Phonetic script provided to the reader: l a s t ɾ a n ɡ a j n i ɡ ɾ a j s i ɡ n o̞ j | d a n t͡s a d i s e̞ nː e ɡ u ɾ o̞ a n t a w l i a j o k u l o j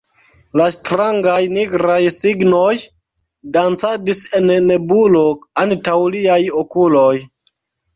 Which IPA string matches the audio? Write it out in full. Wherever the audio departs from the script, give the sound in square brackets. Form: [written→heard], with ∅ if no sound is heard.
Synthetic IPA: l a s t ɾ a [n→ŋ] ɡ a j n i ɡ ɾ a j s i ɡ n o̞ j | d a n t͡s a d i s e̞ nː e [ɡ→b] u [ɾ→l] o̞ a n t a w l i a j o k u l o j